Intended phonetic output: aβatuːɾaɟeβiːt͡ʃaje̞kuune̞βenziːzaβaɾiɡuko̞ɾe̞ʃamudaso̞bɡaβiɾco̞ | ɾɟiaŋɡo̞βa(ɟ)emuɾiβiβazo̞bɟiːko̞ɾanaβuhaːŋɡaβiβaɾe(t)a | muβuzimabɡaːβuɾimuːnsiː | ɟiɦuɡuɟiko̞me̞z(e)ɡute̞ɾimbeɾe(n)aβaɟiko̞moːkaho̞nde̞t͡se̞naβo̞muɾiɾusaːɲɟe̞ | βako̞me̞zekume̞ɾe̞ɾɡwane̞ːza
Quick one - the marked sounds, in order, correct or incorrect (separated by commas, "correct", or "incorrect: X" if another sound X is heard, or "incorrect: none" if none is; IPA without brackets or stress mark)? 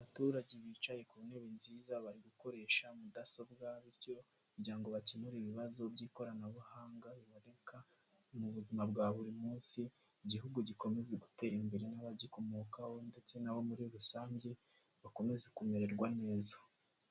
incorrect: c, incorrect: k, correct, correct